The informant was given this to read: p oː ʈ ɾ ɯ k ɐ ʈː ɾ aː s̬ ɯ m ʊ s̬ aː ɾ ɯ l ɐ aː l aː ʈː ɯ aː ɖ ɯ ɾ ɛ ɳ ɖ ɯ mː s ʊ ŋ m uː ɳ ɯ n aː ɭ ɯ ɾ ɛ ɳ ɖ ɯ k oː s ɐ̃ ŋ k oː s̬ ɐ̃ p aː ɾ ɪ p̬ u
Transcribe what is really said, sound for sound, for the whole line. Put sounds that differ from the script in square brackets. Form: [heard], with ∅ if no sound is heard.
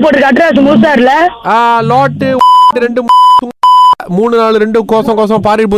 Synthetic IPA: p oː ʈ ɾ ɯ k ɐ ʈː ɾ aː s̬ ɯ m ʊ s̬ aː ɾ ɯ l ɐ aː l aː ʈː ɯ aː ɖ ɯ ɾ ɛ ɳ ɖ ɯ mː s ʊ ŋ m uː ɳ ɯ n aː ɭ ɯ ɾ ɛ ɳ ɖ ɯ k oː s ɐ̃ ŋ k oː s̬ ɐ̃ p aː ɾ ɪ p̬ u